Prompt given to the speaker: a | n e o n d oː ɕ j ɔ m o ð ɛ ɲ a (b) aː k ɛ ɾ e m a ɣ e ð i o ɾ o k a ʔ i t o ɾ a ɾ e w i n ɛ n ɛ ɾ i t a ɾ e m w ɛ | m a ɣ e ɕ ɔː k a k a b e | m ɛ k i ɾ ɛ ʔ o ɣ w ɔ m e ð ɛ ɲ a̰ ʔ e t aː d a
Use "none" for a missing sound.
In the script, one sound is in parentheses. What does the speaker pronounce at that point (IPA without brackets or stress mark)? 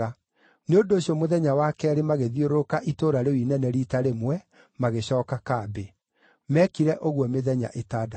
w